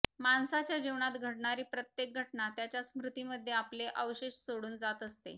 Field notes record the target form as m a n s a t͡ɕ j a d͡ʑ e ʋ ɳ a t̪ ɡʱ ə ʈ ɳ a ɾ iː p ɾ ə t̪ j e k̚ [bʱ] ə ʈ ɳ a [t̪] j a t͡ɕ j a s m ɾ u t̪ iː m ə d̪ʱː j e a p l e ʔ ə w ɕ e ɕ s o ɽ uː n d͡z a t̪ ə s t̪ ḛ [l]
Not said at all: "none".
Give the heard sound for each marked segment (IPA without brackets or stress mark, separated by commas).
ɡʱ, t̪, none